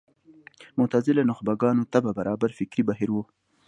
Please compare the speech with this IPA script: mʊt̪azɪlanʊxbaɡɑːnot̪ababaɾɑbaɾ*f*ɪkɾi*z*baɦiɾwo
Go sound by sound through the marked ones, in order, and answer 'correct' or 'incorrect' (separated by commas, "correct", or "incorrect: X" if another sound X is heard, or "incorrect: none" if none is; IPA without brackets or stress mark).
correct, incorrect: none